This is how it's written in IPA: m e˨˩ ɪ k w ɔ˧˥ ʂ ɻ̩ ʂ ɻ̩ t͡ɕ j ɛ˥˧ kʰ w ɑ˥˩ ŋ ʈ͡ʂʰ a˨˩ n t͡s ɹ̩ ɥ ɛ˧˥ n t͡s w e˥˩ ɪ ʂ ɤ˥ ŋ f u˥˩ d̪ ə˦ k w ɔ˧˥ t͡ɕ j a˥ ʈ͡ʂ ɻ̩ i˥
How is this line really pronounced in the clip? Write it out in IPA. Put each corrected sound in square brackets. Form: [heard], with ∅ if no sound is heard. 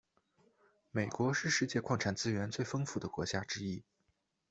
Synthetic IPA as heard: m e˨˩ ɪ k w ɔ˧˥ ʂ ɻ̩ ʂ ɻ̩ t͡ɕ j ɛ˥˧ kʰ w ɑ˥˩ ŋ ʈ͡ʂʰ a˨˩ n t͡s ɹ̩ ɥ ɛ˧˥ n t͡s w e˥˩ ɪ [f] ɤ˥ ŋ f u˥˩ d̪ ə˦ k w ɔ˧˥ t͡ɕ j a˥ ʈ͡ʂ ɻ̩ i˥

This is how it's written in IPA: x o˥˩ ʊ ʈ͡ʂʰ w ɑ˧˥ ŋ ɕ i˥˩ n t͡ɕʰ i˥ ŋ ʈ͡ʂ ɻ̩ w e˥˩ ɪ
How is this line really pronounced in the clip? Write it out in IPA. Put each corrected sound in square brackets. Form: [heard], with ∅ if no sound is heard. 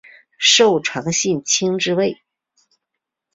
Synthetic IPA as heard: [ʂ] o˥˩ ʊ ʈ͡ʂʰ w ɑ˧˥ ŋ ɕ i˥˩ n t͡ɕʰ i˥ ŋ ʈ͡ʂ ɻ̩ w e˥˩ ɪ

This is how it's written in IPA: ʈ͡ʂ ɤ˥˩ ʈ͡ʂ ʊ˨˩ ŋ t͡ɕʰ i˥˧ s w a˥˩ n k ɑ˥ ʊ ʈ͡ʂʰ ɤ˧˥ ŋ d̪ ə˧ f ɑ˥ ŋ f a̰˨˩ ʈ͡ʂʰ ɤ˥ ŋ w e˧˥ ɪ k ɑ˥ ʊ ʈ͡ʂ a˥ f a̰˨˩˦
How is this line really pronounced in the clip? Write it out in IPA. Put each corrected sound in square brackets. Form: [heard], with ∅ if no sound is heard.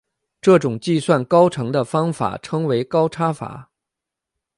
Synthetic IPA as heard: ʈ͡ʂ ɤ˥˩ ʈ͡ʂ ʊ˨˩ ŋ [t͡ɕ] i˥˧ s w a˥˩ n k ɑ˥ ʊ ʈ͡ʂʰ ɤ˧˥ ŋ d̪ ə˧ f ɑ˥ ŋ f a̰˨˩ ʈ͡ʂʰ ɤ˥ ŋ w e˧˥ ɪ k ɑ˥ ʊ [ʈ͡ʂʰ] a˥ f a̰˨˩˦

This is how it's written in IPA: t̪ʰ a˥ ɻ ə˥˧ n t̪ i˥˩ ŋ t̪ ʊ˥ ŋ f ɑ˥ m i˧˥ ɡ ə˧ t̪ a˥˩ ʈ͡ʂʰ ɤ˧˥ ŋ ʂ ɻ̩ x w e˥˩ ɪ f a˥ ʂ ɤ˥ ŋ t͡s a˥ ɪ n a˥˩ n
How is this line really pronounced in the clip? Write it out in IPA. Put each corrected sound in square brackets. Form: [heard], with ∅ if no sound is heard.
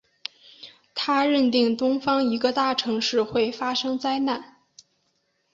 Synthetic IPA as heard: t̪ʰ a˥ ɻ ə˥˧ n t̪ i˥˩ ŋ t̪ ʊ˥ ŋ f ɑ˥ [ŋ] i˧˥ ɡ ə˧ t̪ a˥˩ ʈ͡ʂʰ ɤ˧˥ ŋ ʂ ɻ̩ x w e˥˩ ɪ f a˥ ʂ ɤ˥ ŋ t͡s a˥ ɪ n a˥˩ n

